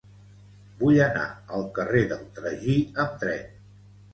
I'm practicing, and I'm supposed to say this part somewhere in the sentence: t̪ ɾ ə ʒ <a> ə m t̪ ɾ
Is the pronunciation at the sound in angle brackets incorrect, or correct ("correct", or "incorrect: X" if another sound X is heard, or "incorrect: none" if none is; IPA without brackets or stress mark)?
incorrect: i